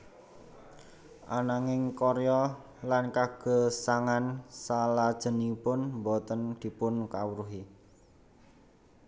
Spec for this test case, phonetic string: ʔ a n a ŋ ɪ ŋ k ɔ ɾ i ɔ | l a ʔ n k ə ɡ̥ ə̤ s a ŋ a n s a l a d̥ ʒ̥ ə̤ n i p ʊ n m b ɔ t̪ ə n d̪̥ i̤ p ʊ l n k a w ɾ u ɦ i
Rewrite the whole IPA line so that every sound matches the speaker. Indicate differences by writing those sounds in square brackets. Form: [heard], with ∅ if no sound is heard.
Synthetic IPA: ʔ a n a ŋ ɪ ŋ k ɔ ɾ [j] ɔ | l a [∅] n k [a] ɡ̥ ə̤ s a ŋ a n s a l a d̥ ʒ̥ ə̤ n i p ʊ n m b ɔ t̪ ə n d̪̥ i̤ p ʊ [∅] n k a w ɾ u ɦ i